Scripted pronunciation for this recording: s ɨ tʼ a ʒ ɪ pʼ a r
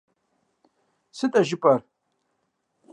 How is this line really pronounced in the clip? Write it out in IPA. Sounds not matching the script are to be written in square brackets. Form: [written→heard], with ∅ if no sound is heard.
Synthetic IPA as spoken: s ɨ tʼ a ʒ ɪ pʼ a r